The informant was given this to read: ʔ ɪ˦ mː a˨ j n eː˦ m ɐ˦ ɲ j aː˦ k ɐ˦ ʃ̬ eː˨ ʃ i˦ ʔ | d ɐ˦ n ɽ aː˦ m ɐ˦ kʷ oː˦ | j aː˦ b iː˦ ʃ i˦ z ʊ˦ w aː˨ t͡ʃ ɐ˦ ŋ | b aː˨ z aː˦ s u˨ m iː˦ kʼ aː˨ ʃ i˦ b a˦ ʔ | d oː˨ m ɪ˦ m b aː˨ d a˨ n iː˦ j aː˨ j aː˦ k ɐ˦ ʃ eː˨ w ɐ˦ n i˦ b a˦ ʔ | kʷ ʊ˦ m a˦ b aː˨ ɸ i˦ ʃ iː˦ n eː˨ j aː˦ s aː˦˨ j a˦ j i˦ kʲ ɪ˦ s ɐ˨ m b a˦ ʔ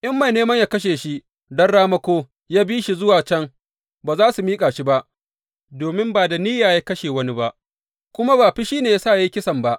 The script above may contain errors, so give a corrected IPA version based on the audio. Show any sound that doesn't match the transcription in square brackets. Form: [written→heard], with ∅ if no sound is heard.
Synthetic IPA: ʔ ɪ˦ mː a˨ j n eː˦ m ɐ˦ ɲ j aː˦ k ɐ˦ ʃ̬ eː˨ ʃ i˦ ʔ | d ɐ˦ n ɽ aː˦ m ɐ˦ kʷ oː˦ | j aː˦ b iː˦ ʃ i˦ z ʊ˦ w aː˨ t͡ʃ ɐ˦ ŋ | b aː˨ z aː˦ s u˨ m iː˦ kʼ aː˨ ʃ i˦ b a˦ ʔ | d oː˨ m ɪ˦ m b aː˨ d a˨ n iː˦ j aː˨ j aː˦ k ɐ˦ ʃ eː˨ w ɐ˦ n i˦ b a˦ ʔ | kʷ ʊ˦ m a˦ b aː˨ ɸ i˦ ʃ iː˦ n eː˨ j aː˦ s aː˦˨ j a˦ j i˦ kʲ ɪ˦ s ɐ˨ m b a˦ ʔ